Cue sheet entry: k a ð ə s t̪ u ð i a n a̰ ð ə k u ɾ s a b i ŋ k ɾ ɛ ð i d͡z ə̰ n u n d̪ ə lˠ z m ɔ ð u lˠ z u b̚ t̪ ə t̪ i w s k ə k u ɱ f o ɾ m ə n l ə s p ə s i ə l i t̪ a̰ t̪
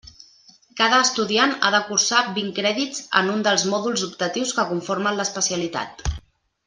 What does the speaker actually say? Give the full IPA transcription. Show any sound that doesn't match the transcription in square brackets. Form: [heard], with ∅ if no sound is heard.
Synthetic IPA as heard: k a ð [əː] s t̪ u ð i a n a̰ ð ə k u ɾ s a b i ŋ k ɾ ɛ ð i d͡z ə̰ n u n d̪ ə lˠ z m ɔ ð u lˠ z u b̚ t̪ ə t̪ i w s k ə k u ɱ f o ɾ m ə n l ə s p ə s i ə l i t̪ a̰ t̪